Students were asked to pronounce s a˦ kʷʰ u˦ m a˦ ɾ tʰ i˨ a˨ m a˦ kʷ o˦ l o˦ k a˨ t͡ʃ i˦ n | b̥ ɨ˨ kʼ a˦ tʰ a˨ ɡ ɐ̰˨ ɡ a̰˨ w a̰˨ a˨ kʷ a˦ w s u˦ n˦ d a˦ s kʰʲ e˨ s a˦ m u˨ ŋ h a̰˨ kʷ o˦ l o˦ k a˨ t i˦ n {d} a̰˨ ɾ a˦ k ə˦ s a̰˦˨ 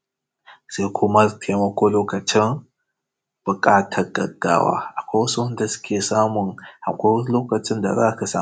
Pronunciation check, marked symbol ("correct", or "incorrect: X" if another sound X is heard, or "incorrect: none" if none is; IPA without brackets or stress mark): correct